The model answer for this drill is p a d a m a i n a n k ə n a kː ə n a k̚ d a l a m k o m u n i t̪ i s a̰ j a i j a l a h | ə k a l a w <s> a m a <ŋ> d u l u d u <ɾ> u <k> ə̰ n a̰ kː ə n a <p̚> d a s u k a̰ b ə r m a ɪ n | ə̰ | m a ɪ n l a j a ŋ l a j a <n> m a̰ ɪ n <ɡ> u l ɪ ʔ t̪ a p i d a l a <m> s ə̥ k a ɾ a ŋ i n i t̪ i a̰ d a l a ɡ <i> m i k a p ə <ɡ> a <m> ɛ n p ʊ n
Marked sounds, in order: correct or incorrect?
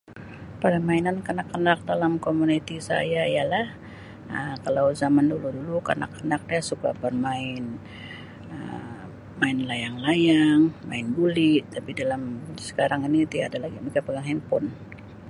incorrect, incorrect, incorrect, correct, incorrect, incorrect, incorrect, correct, correct, correct, incorrect

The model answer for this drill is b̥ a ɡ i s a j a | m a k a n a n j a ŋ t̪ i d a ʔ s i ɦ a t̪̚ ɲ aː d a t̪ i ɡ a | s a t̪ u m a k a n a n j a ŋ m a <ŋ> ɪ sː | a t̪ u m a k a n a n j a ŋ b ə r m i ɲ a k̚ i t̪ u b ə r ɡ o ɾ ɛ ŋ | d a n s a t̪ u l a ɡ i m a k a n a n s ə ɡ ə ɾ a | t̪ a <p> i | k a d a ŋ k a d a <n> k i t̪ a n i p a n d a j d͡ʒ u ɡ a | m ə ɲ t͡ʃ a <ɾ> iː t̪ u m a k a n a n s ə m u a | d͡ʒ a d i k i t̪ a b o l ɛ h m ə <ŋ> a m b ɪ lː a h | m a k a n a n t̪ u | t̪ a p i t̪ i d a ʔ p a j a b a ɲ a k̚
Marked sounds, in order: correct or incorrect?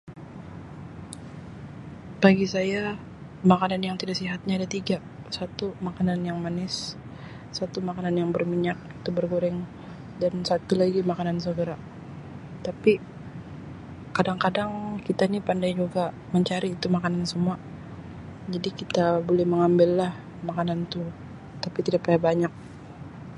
incorrect, correct, incorrect, correct, correct

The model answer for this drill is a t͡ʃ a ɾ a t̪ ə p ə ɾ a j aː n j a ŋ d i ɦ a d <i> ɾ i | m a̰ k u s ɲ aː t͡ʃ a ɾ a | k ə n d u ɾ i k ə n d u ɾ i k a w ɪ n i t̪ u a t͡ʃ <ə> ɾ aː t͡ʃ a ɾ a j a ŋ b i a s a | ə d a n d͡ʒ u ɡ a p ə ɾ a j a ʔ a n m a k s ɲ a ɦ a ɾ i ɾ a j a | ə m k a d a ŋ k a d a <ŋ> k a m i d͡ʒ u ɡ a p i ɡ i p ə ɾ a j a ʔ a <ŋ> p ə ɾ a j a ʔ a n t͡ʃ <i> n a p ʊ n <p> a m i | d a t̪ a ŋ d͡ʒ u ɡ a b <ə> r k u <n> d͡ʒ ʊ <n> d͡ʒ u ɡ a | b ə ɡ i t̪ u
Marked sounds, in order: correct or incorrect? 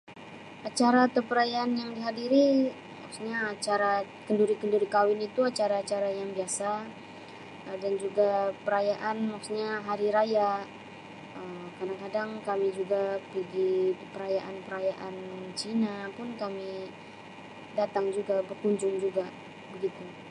correct, incorrect, correct, incorrect, correct, incorrect, correct, incorrect, incorrect

